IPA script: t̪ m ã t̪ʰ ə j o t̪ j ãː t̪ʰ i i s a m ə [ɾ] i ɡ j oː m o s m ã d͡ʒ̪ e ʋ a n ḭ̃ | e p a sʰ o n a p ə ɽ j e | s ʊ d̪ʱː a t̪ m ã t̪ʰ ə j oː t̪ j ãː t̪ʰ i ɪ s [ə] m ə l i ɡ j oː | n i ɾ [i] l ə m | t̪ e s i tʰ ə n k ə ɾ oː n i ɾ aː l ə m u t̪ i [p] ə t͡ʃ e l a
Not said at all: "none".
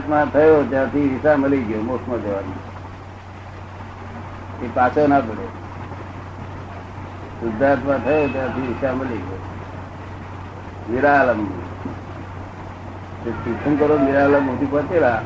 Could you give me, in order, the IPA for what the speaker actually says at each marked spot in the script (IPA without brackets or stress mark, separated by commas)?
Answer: l, a, a, p